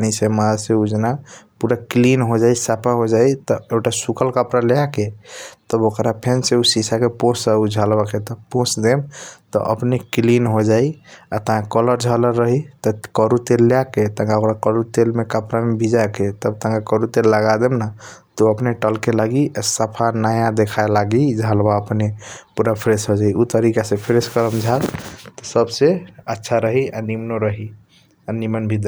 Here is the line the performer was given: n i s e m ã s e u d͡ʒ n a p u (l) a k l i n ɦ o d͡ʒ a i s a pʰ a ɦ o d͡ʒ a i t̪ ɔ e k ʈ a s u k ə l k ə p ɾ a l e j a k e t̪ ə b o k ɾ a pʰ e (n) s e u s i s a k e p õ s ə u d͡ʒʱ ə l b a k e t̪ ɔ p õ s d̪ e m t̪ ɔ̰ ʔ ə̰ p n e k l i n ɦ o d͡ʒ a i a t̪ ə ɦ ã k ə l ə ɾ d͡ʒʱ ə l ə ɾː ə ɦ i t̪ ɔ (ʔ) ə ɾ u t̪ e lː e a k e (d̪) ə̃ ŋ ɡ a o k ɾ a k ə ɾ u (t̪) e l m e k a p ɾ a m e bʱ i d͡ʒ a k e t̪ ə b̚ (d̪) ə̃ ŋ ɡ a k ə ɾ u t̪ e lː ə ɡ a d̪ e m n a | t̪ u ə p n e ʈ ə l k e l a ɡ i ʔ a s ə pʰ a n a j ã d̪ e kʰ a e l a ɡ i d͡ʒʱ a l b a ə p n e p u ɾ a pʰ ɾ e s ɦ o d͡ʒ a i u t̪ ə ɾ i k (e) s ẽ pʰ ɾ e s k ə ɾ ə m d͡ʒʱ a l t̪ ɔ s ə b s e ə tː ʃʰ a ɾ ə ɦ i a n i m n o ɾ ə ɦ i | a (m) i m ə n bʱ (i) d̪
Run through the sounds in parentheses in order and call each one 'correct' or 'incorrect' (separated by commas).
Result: incorrect, correct, incorrect, incorrect, correct, incorrect, incorrect, incorrect, correct